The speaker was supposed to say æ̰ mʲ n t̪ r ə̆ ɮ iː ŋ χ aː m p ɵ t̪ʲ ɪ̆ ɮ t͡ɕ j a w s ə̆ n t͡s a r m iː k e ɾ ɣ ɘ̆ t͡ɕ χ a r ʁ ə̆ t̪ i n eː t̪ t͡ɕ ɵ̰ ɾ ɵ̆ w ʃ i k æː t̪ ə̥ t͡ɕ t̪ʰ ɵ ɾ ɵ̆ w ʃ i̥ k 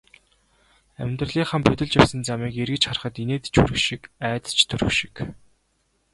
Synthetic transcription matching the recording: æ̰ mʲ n t̪ r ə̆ ɮ iː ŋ χ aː m p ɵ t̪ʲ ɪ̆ ɮ t͡ɕ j a w s ə̆ n t͡s a m iː k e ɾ ɣ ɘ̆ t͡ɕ χ a r χ ə̆ t̪ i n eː t̪ t͡ɕ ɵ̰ ɾ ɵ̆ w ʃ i k æː t̪ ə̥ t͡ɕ t̪ʰ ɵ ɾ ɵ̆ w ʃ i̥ k